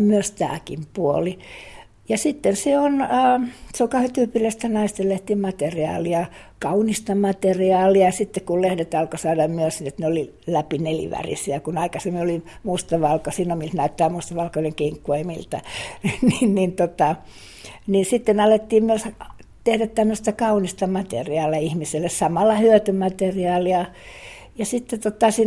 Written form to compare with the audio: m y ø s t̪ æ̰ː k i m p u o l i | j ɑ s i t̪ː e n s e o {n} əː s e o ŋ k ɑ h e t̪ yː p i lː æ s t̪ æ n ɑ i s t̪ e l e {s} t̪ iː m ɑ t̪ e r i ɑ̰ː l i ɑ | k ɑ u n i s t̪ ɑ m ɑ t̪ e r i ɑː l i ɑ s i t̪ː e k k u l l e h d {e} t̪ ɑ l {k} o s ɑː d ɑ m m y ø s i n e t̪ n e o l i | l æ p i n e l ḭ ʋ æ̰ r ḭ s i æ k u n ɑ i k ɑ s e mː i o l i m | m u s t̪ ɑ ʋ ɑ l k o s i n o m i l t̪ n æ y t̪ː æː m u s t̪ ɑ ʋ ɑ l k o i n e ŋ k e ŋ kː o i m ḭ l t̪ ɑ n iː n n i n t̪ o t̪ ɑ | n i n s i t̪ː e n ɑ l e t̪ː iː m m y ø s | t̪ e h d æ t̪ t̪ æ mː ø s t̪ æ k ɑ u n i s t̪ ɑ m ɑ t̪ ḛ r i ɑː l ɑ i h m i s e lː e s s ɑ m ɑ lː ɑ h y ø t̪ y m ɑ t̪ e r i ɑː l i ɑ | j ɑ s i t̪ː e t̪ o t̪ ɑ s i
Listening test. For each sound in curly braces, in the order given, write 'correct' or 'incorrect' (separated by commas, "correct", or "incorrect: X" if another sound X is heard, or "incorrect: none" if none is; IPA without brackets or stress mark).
correct, incorrect: h, correct, correct